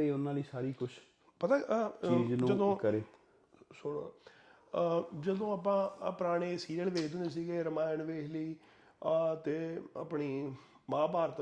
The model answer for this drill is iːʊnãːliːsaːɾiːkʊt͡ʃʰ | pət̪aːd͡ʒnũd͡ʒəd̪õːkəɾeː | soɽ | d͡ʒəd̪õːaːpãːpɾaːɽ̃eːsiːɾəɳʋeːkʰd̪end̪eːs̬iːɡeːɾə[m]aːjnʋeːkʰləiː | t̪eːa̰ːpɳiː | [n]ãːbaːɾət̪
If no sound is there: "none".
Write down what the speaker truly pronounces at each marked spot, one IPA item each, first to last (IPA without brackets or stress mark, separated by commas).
m, m